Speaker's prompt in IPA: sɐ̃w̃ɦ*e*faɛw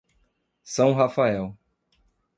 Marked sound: incorrect: a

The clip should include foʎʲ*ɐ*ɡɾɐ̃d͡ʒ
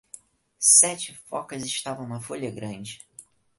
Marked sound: correct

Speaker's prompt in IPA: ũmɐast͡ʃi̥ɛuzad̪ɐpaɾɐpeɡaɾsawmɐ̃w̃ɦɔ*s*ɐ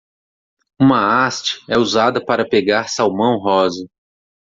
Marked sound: incorrect: z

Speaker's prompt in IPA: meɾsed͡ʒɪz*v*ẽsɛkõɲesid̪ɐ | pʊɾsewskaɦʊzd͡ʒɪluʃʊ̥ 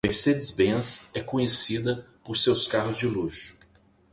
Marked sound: incorrect: b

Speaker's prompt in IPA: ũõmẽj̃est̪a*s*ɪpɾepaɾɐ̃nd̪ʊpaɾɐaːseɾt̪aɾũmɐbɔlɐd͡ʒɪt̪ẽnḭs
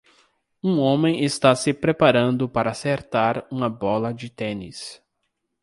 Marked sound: correct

